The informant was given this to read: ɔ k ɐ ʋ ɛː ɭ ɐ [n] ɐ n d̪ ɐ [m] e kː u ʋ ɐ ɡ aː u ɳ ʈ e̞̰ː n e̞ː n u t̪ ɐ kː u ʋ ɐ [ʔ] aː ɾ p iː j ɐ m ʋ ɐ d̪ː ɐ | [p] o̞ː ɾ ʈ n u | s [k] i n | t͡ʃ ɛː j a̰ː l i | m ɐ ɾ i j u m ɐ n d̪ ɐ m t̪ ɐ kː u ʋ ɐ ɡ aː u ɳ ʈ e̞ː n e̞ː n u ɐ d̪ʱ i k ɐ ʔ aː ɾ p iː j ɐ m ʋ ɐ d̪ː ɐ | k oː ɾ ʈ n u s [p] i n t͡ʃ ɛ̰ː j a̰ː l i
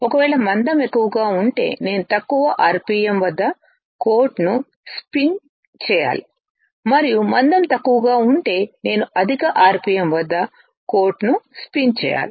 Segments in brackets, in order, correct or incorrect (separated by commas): incorrect, correct, correct, incorrect, incorrect, correct